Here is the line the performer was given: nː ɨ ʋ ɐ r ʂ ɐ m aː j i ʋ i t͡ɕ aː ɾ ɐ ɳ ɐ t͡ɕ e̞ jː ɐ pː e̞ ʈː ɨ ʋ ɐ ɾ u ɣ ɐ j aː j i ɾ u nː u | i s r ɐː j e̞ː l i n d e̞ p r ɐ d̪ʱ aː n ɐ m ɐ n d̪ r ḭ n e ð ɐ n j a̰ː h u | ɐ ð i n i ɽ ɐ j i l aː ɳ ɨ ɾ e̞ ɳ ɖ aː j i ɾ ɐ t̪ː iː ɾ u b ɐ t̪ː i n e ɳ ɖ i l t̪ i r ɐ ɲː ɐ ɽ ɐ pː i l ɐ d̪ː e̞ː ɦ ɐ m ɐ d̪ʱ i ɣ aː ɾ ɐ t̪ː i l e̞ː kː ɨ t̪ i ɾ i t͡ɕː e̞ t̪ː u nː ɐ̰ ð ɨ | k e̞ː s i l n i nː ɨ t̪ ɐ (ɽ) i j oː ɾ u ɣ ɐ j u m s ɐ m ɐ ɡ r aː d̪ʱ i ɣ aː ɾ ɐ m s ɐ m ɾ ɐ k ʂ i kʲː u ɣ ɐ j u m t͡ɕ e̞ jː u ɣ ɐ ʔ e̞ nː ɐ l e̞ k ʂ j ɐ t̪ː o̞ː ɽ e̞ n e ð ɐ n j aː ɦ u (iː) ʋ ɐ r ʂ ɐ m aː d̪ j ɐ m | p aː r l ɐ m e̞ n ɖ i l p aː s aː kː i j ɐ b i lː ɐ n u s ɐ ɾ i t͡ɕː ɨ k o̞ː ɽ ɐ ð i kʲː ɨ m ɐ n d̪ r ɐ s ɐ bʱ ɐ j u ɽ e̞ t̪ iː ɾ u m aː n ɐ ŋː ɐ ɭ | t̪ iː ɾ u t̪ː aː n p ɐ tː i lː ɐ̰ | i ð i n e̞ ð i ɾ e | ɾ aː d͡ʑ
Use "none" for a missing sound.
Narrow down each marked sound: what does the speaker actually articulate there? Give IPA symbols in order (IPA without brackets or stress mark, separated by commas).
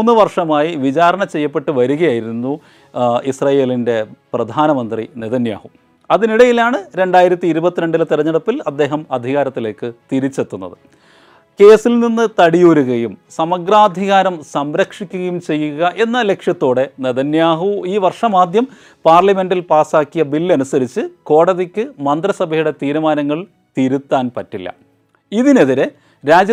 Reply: ɽ, iː